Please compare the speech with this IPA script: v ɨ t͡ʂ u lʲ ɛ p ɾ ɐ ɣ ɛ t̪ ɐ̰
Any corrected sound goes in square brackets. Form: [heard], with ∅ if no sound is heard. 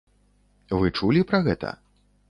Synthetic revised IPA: v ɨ t͡ʂ u lʲ [i] p ɾ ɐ ɣ ɛ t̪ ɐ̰